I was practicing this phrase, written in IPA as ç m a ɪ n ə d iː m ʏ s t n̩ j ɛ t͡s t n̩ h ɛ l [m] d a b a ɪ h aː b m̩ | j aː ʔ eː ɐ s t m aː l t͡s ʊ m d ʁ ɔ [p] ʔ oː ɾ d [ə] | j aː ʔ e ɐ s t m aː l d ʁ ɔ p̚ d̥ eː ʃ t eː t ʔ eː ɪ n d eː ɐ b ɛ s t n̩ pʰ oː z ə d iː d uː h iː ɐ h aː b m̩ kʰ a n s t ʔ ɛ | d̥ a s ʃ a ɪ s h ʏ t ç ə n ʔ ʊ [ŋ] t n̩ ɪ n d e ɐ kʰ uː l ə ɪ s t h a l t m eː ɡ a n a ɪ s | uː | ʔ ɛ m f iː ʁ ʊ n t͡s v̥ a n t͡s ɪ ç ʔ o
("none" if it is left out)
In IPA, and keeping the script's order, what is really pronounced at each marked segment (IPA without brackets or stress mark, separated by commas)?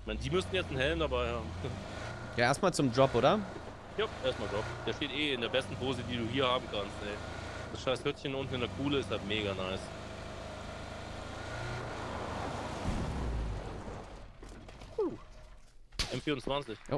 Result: m, p, ɐ, n